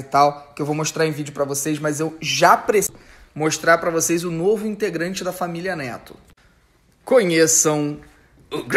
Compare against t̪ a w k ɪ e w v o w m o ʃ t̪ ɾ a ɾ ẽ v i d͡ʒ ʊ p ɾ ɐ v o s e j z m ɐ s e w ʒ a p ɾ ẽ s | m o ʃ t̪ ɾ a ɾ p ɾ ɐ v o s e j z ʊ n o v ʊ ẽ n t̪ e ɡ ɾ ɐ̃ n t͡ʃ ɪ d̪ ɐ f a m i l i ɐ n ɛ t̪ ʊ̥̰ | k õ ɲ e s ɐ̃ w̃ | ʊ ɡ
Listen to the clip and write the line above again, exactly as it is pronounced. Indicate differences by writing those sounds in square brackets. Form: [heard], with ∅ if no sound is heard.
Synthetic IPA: t̪ a w k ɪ e w v o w m o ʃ t̪ ɾ a ɾ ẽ v i d͡ʒ ʊ p ɾ ɐ v o s e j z m ɐ [z] e w ʒ a p ɾ [e] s | m o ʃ t̪ ɾ a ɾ p ɾ ɐ v o s e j z ʊ n o v ʊ [ĩ] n t̪ e ɡ ɾ ɐ̃ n t͡ʃ ɪ d̪ ɐ f a m i l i ɐ n ɛ t̪ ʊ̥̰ | k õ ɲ e s ɐ̃ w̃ | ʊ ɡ